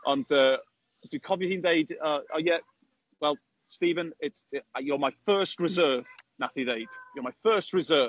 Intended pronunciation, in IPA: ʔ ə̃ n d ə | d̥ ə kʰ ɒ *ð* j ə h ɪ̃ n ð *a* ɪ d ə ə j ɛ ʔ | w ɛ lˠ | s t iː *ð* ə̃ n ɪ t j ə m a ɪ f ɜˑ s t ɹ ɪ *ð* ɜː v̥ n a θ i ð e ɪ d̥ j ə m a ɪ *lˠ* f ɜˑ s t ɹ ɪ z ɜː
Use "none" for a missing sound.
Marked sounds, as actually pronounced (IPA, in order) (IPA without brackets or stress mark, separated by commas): v, e, v, z, none